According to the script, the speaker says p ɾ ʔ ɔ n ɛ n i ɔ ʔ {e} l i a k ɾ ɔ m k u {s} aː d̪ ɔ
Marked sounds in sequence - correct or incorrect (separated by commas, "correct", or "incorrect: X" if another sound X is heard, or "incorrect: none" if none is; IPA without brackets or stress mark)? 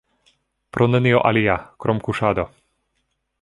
incorrect: a, incorrect: ʃ